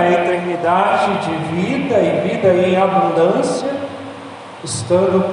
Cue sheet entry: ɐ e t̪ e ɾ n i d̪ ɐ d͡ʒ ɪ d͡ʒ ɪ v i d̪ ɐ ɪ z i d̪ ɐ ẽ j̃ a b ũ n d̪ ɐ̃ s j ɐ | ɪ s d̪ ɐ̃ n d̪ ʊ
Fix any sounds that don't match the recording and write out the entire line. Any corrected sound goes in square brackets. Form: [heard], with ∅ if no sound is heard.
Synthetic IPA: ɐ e t̪ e ɾ n i d̪ [a] d͡ʒ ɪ d͡ʒ ɪ v i d̪ ɐ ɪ [v] i d̪ ɐ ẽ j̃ a b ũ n d̪ ɐ̃ s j ɐ | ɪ s [t̪] ɐ̃ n d̪ ʊ